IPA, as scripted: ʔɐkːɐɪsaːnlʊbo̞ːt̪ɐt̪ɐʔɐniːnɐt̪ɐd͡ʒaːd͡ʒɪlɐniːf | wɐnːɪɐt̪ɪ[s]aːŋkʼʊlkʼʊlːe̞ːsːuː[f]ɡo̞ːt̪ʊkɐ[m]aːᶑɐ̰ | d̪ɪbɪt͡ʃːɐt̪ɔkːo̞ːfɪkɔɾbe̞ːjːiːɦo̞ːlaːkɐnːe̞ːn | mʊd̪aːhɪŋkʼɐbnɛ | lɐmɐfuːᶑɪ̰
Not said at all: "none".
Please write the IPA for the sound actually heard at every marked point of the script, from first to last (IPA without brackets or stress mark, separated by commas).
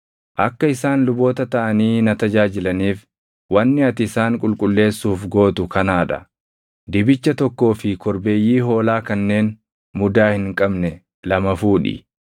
s, f, n